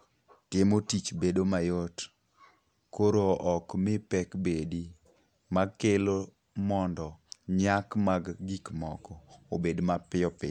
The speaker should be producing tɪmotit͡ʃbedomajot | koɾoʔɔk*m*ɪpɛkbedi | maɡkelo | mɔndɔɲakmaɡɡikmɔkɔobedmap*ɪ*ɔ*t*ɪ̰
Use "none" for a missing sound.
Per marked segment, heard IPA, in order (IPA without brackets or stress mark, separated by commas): m, ɪ, p